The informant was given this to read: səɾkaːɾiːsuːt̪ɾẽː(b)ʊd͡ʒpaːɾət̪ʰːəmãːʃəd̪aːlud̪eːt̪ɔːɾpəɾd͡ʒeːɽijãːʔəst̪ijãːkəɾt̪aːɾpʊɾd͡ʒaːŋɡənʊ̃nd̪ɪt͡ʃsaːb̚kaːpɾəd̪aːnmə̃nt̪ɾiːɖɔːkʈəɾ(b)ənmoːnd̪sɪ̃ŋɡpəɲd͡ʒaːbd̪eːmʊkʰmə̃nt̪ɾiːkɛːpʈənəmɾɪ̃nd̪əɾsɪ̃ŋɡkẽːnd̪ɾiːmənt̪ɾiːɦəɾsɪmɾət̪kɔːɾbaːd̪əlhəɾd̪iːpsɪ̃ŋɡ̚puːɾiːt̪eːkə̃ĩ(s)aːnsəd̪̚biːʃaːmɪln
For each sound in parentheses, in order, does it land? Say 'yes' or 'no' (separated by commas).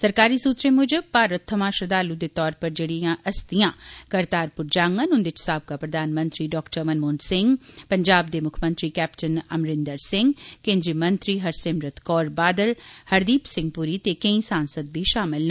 no, no, yes